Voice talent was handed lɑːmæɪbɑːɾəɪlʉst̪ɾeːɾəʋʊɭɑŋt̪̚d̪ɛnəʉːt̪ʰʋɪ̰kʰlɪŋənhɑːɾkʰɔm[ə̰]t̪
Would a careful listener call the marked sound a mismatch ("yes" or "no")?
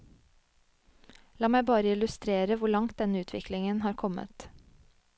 no